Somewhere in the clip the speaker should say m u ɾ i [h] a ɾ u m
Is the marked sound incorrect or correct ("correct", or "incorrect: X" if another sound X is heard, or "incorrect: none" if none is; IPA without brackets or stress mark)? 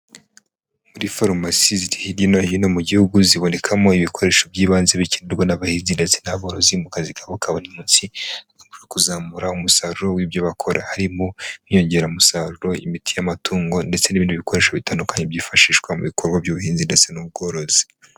incorrect: f